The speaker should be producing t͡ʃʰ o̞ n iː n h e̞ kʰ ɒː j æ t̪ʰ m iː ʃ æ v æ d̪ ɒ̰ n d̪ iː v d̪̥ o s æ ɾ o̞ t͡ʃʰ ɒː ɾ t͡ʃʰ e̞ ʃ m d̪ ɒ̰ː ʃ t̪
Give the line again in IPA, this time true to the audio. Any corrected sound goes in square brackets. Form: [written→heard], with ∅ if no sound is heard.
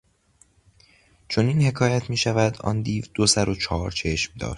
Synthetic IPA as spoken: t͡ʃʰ o̞ n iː n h e̞ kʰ ɒː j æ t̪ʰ m iː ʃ æ v æ d̪ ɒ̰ n d̪ iː v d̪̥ o s æ ɾ o̞ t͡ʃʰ ɒː ɾ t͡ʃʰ e̞ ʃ m d̪ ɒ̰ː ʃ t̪